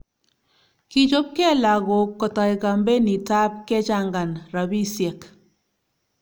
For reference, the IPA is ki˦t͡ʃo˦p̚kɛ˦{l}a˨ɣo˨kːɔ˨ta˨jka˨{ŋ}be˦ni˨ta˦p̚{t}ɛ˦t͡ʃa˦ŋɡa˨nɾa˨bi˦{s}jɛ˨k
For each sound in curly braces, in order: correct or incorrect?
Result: correct, incorrect: m, incorrect: k, correct

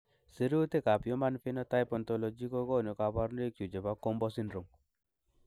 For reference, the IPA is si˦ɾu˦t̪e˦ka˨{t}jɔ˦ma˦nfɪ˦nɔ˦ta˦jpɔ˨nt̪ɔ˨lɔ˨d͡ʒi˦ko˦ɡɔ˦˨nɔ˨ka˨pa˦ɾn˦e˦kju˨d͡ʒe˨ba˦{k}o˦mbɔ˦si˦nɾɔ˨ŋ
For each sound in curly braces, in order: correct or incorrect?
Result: incorrect: p, correct

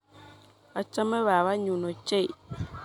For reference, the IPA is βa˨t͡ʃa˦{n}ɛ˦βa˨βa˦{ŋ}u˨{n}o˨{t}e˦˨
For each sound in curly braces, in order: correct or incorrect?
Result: incorrect: m, incorrect: ɲ, correct, incorrect: t͡ʃ

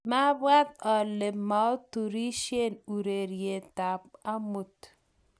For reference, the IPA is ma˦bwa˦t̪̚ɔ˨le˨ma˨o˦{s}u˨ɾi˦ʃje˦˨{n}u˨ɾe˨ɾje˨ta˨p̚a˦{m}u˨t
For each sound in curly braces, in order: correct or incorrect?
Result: incorrect: t, correct, correct

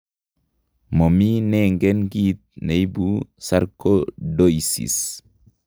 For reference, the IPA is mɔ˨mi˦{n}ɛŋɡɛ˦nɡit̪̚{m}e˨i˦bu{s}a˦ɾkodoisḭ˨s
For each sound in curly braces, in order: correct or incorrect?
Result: correct, incorrect: n, correct

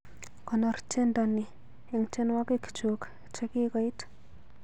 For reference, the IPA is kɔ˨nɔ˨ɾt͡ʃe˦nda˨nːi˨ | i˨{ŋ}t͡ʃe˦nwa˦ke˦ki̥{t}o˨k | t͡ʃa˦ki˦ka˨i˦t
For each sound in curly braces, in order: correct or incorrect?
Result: correct, incorrect: t͡ʃ

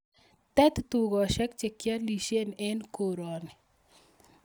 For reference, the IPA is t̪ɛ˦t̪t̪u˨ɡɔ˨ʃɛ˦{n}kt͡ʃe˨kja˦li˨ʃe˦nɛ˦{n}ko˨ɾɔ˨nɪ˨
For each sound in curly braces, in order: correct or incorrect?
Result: incorrect: none, correct

